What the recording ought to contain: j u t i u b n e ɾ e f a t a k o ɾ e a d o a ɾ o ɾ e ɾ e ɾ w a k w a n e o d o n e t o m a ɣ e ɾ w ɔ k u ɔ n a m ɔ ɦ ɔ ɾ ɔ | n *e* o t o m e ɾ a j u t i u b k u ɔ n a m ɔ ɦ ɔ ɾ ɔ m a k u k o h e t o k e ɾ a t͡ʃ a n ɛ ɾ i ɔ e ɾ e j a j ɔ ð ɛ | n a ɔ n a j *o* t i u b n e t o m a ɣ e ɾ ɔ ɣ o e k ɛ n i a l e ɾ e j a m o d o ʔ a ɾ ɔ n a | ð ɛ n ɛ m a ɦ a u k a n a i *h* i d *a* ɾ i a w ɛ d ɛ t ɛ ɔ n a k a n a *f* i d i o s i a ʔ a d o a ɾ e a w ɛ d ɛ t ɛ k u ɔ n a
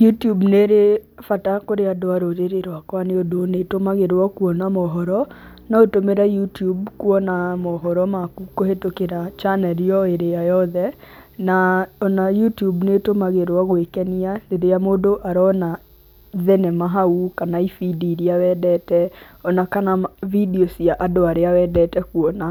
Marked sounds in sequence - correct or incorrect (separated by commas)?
incorrect, incorrect, incorrect, incorrect, incorrect